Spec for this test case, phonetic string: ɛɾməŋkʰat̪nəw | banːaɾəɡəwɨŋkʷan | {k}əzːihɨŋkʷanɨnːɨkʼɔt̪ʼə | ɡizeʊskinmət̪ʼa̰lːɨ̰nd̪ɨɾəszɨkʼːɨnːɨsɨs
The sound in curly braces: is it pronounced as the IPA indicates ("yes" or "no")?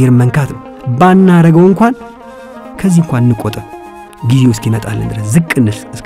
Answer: no